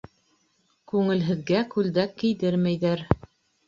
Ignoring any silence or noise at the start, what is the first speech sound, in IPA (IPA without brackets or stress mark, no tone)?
k